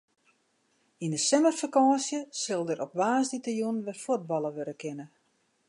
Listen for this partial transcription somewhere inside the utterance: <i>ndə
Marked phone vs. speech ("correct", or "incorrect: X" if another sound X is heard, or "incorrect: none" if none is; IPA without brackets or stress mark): correct